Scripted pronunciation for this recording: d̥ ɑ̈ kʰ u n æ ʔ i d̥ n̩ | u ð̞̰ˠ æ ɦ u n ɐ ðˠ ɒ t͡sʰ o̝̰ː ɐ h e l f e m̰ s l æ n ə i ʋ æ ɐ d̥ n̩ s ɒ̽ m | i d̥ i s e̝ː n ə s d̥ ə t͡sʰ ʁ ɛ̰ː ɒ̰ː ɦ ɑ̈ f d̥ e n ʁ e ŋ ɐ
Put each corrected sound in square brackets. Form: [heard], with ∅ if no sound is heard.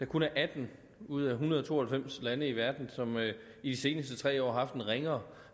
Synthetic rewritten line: d̥ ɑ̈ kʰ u n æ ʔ [æ] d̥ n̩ | u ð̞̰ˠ æ ɦ u n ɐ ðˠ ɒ t͡sʰ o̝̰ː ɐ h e l f e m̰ s l æ n ə i ʋ æ ɐ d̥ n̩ s ɒ̽ m | i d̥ i s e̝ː n ə s d̥ ə t͡sʰ ʁ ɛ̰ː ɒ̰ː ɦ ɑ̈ f d̥ e n ʁ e ŋ ɐ